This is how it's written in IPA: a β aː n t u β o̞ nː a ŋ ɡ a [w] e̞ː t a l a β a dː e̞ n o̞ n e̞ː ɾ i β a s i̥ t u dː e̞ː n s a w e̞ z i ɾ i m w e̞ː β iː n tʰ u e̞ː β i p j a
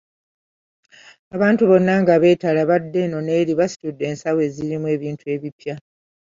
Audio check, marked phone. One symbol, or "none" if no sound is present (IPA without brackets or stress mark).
β